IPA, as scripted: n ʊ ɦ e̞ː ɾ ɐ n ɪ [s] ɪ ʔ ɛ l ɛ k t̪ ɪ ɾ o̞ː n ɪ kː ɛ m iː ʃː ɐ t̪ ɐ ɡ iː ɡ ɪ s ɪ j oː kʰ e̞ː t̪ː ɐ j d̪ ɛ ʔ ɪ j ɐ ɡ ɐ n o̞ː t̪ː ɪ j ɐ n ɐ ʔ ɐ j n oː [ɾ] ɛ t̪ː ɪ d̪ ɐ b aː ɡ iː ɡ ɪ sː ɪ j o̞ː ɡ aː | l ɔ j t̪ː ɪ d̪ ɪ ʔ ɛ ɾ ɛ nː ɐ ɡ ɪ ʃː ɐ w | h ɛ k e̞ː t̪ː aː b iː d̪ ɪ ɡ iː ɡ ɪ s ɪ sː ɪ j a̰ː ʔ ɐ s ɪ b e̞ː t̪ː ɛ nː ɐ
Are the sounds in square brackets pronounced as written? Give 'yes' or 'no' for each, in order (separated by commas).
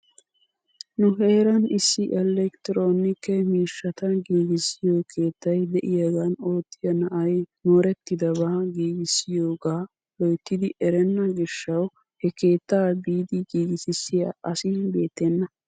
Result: no, yes